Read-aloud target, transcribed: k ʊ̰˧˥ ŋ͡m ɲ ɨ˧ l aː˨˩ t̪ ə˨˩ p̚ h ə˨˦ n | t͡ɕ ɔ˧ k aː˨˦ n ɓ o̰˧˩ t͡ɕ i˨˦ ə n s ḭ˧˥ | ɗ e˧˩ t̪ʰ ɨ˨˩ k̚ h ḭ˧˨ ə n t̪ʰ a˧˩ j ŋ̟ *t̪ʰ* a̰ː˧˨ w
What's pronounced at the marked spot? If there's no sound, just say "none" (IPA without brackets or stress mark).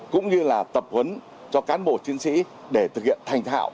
t̪ʰ